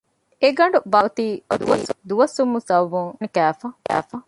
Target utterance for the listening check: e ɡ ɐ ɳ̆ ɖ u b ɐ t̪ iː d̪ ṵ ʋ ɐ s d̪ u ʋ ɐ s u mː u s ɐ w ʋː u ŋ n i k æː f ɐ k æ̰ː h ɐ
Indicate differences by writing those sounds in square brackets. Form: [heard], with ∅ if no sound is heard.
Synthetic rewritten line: e ɡ ɐ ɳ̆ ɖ u b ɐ t̪ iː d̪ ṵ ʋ ɐ s d̪ u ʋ ɐ s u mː u s ɐ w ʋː u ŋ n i k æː f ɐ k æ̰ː [f] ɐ